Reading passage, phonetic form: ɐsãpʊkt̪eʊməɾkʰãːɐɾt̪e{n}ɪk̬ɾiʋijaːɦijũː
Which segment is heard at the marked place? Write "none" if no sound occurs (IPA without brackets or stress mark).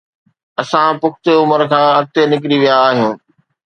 n